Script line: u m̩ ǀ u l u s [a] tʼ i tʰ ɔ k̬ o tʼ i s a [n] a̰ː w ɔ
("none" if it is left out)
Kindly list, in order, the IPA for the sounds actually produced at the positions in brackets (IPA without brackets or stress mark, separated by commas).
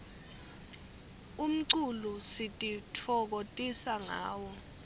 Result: i, ŋ